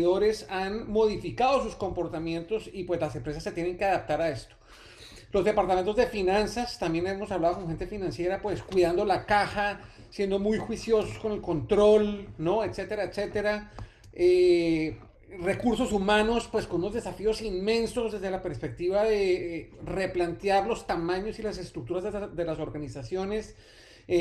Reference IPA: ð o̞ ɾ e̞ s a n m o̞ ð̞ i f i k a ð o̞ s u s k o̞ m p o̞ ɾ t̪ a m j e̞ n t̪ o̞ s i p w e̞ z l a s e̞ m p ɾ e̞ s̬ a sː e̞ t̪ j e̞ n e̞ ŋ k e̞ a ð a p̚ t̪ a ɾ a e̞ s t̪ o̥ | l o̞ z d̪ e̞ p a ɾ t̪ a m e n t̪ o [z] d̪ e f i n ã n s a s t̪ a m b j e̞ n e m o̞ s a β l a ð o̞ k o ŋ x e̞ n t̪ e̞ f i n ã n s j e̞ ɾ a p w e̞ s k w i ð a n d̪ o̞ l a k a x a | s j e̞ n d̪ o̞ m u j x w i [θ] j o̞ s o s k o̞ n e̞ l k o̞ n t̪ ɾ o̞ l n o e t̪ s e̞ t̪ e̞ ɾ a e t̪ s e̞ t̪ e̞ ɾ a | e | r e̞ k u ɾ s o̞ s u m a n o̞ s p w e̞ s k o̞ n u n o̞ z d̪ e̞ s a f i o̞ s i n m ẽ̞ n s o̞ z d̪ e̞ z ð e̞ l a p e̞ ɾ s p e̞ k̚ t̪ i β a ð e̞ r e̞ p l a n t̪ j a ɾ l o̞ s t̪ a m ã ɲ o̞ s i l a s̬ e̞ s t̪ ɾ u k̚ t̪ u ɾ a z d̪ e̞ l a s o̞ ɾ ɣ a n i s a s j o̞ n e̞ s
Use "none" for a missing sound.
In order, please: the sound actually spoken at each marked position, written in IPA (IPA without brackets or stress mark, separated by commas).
z, s